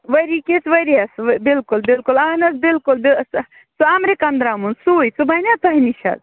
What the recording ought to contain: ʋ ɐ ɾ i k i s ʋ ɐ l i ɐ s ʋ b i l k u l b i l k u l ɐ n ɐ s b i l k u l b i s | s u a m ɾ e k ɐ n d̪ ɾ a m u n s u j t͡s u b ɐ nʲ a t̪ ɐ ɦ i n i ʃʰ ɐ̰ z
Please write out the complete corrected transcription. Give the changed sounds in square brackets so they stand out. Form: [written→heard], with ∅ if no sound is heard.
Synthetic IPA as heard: ʋ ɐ ɾ i k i s ʋ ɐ [l→ɾ] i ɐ s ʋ b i l k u l b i l k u l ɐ n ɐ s b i l k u l b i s | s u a m ɾ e k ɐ n d̪ ɾ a m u n s u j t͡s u b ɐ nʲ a t̪ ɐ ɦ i n i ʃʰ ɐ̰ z